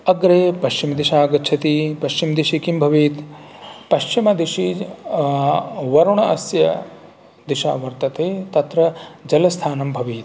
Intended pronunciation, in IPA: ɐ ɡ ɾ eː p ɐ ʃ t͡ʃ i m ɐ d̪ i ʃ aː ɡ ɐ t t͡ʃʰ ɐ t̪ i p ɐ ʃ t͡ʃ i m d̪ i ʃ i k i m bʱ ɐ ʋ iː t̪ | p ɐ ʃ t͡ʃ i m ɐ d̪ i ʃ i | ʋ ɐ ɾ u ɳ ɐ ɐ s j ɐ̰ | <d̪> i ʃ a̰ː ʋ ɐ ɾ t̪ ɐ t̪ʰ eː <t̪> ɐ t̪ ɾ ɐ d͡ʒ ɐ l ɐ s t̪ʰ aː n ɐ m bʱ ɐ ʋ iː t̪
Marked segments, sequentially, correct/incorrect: correct, correct

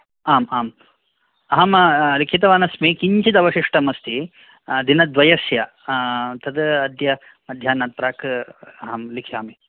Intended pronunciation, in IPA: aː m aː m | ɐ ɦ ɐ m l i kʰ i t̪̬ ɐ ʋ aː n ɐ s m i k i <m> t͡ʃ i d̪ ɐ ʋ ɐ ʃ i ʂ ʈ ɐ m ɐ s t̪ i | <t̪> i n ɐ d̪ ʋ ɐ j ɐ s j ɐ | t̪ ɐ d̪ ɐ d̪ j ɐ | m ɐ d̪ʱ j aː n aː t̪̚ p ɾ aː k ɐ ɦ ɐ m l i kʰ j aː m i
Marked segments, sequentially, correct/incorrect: incorrect: ɲ, incorrect: d̪

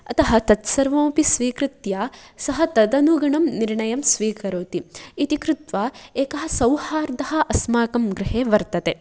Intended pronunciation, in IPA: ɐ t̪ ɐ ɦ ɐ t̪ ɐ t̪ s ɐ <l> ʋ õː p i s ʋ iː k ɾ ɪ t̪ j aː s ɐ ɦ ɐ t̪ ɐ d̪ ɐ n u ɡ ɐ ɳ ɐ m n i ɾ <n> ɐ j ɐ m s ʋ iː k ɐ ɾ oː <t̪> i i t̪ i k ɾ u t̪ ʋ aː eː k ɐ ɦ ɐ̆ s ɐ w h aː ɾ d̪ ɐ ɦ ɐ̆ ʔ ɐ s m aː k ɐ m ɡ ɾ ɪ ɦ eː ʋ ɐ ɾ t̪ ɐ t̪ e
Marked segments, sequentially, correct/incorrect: incorrect: ɾ, incorrect: ɳ, correct

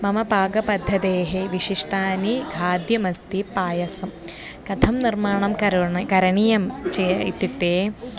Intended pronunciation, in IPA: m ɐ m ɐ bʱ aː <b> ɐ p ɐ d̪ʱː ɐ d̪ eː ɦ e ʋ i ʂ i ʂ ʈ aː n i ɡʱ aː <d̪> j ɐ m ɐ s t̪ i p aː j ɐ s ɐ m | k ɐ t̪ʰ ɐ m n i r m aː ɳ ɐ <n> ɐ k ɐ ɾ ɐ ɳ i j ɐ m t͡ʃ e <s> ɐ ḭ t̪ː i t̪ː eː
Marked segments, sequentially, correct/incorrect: incorrect: ɡ, correct, incorrect: m, incorrect: none

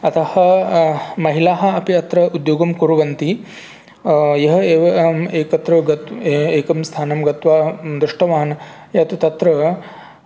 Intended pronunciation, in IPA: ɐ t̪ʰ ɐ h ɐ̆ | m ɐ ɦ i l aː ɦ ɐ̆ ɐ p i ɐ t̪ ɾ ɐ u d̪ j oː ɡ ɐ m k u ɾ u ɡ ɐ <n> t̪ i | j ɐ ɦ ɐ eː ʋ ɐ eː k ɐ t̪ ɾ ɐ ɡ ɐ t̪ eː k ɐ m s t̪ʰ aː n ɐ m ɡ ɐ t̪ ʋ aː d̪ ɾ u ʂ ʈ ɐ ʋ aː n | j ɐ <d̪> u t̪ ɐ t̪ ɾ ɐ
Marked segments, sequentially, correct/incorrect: correct, incorrect: t̪

